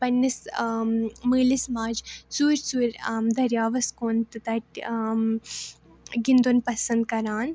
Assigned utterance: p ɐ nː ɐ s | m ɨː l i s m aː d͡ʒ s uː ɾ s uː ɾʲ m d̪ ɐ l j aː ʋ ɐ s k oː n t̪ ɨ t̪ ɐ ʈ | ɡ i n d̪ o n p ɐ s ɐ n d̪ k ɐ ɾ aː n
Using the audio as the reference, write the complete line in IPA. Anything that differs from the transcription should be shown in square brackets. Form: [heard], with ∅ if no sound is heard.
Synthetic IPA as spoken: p ɐ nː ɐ s | m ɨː l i s m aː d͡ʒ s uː ɾ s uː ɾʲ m d̪ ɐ [ɾ] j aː ʋ ɐ s k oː n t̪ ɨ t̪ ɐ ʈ | ɡ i n d̪ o n p ɐ s ɐ n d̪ k ɐ ɾ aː n